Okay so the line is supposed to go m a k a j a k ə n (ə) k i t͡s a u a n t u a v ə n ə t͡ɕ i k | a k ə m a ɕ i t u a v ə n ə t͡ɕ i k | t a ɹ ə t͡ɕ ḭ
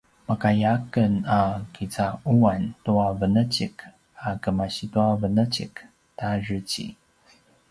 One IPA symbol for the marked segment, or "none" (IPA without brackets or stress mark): a